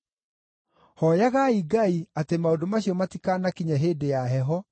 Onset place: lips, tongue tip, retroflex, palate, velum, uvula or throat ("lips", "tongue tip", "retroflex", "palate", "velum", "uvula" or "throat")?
throat